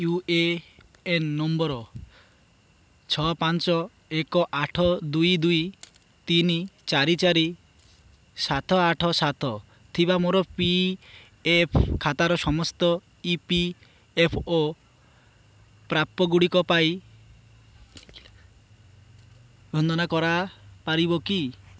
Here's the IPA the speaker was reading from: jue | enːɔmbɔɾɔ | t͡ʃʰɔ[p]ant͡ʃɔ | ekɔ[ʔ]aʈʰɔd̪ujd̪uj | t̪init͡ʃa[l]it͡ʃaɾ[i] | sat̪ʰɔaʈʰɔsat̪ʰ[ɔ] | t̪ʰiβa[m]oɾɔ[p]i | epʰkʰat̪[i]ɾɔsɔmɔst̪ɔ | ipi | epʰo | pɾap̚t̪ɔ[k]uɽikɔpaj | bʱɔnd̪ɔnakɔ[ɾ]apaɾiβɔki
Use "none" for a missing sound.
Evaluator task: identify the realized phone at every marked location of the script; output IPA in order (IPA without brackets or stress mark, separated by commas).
p, ʔ, ɾ, i, ɔ, m, p, a, ɡ, ɾ